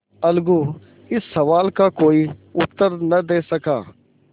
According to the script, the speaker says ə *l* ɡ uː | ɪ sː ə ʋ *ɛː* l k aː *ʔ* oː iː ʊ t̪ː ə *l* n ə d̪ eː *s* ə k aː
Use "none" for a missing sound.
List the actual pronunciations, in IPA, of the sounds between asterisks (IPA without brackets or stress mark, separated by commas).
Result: l, aː, k, ɾ, s